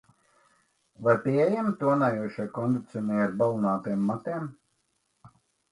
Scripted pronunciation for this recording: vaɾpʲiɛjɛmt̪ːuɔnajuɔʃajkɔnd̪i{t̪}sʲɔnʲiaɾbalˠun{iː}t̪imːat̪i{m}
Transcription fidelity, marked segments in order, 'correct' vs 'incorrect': correct, incorrect, correct

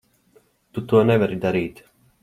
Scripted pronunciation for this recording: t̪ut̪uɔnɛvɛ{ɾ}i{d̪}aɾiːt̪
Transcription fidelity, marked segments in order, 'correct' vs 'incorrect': correct, correct

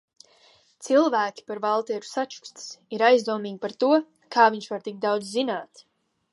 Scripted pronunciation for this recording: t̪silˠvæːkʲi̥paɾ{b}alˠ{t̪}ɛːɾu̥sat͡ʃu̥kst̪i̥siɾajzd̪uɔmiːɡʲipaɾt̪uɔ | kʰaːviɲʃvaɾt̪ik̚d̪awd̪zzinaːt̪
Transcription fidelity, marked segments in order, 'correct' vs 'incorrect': incorrect, correct

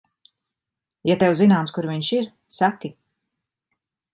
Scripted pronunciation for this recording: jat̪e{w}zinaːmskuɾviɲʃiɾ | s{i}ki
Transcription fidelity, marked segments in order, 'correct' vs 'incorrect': correct, incorrect

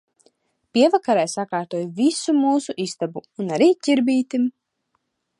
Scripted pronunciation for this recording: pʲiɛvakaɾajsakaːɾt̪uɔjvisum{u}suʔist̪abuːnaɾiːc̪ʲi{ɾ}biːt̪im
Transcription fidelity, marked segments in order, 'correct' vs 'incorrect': incorrect, correct

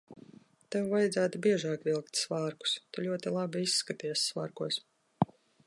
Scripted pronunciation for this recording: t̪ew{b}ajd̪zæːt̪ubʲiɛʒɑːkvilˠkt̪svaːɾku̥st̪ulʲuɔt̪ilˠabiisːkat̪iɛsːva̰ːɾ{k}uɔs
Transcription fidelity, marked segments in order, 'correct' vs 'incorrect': incorrect, correct

